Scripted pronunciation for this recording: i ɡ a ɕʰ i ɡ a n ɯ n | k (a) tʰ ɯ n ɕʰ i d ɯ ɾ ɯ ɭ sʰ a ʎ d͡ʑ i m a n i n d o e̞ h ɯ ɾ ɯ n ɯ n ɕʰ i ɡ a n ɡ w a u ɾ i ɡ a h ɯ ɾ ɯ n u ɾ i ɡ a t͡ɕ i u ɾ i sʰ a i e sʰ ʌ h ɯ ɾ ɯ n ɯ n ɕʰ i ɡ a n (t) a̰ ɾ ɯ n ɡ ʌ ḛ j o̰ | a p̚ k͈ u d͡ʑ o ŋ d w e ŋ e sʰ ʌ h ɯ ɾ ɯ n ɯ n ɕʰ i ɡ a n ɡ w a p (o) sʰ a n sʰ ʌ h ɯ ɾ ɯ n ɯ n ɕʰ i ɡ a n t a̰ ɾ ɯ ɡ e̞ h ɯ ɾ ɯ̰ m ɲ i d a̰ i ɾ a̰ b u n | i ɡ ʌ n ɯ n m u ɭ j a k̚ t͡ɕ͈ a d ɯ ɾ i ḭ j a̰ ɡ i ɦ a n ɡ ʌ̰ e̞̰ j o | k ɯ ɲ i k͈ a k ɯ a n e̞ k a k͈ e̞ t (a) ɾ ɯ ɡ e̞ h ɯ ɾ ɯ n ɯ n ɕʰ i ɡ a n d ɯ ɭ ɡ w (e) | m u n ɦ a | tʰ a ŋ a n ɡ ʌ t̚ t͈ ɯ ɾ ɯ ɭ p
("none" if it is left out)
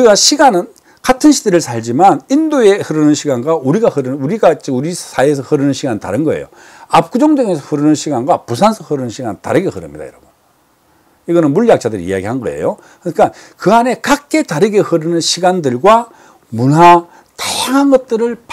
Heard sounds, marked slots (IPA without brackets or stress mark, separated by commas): a, t, u, a, a